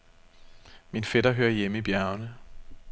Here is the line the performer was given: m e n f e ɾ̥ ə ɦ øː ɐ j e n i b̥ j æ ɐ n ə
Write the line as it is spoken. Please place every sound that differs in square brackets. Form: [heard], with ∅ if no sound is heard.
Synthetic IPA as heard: m [i] n f e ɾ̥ [ɐ] ɦ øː ɐ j e [m] i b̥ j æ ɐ n ə